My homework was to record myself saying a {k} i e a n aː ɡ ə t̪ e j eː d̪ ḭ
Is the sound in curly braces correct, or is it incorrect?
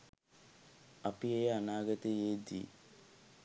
incorrect